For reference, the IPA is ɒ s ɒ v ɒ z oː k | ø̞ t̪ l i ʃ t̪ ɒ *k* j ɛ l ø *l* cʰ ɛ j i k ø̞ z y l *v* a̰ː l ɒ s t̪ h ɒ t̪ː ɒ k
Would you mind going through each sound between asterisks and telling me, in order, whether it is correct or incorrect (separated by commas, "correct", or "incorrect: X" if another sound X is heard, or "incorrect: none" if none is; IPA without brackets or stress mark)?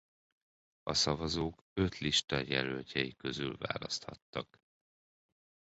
incorrect: none, correct, correct